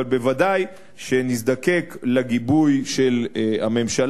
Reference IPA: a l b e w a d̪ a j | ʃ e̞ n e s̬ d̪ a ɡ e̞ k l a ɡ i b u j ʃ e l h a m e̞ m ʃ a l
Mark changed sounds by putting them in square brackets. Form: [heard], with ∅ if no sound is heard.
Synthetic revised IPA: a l b e [v] a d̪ a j | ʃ e̞ n [i] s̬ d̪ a [k] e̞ k l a ɡ i b u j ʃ e l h a m e̞ m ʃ a l